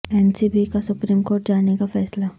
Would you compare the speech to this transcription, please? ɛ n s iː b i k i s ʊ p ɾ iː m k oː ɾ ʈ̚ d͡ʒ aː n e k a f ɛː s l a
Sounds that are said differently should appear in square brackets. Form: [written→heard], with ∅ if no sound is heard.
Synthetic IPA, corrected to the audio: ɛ n s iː b i k [i→a] s ʊ p ɾ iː m k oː ɾ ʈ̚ d͡ʒ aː n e k a f ɛː s l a